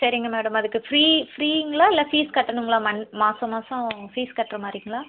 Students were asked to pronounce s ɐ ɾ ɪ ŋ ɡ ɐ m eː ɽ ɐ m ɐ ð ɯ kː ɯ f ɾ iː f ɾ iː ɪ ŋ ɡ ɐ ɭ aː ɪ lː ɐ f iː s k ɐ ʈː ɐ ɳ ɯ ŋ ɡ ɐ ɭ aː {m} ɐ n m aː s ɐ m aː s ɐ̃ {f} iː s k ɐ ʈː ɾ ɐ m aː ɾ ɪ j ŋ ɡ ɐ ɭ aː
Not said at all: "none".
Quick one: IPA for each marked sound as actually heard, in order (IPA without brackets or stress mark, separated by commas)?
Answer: m, f